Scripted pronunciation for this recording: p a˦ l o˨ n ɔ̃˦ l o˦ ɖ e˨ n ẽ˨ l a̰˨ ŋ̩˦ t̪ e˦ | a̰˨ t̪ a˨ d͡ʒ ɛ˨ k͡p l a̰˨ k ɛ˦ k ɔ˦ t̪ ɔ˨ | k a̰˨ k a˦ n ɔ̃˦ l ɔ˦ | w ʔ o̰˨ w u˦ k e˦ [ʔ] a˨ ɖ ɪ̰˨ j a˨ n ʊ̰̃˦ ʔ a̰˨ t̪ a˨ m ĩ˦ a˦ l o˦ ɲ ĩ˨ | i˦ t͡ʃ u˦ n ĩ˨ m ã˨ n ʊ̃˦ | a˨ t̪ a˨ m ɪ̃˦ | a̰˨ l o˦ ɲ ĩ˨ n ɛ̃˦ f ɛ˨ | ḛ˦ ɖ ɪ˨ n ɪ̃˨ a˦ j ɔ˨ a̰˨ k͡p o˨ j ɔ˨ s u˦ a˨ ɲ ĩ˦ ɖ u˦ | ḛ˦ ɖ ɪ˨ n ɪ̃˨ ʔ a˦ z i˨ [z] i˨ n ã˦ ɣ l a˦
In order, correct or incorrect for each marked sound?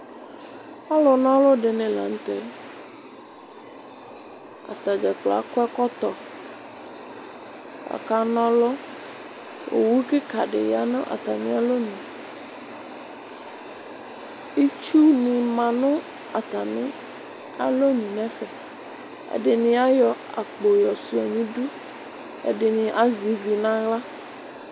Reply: incorrect: k, incorrect: v

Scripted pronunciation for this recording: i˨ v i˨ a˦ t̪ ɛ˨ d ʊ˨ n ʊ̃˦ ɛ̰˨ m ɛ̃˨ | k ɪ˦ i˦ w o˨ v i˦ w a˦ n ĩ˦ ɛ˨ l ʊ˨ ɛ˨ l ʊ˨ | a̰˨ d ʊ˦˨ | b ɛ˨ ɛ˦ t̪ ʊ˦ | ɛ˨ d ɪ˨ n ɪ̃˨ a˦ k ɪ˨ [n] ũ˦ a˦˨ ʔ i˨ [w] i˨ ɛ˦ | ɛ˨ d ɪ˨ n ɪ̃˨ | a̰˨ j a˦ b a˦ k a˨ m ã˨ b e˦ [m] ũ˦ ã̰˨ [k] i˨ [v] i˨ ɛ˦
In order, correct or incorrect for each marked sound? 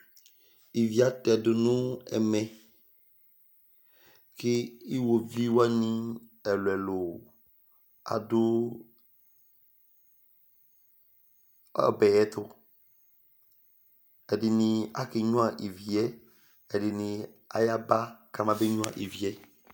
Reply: incorrect: ɲ, incorrect: v, incorrect: ɲ, incorrect: ʔ, correct

